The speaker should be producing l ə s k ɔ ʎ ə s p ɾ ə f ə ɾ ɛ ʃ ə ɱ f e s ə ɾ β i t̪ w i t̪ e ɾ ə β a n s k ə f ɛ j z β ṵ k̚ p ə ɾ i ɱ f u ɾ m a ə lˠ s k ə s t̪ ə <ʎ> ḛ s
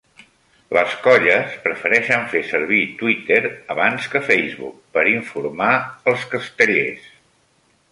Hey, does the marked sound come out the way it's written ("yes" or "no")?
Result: yes